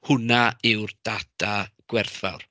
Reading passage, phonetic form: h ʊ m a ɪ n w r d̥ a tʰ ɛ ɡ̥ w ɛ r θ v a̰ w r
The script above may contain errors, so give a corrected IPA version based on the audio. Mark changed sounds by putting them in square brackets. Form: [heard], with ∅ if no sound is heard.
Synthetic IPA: h ʊ [n] a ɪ [∅] w r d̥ a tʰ [a] ɡ̥ w ɛ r θ v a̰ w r